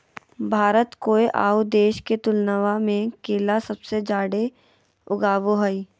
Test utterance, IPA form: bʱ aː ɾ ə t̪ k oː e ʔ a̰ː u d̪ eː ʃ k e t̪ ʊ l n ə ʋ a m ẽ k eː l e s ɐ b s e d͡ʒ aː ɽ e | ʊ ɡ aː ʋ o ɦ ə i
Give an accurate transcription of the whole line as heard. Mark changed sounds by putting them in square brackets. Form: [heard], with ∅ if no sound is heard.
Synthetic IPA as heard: bʱ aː ɾ ə t̪ k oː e ʔ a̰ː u d̪ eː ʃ k e t̪ ʊ l n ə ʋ a m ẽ k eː l [a] s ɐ b s e d͡ʒ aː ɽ e | ʊ ɡ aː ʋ o ɦ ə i